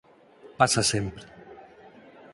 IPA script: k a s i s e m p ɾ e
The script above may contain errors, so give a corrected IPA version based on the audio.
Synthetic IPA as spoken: p a s a s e m p ɾ e